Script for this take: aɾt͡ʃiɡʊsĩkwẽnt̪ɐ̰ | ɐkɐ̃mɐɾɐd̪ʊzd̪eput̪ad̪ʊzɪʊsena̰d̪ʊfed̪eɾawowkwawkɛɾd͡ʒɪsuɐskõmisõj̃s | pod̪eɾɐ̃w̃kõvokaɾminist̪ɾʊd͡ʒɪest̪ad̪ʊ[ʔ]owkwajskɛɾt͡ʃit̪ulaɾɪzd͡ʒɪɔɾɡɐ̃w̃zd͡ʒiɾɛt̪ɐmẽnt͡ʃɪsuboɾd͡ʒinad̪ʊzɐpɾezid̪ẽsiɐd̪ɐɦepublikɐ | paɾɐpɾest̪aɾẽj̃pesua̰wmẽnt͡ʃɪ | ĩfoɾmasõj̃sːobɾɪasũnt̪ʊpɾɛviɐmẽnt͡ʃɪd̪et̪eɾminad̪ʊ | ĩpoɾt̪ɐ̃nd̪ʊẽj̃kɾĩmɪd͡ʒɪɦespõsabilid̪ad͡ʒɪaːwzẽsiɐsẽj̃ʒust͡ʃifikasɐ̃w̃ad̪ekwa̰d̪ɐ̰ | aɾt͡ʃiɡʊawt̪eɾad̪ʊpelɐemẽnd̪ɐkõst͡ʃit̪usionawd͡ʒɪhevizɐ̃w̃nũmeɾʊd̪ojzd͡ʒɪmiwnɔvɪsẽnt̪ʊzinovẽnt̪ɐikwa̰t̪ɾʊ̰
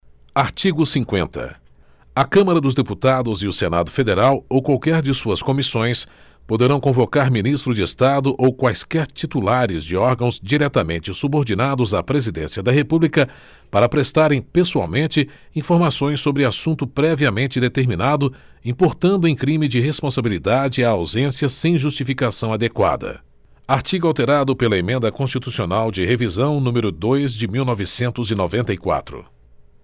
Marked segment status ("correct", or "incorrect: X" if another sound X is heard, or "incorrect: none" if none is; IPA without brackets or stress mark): correct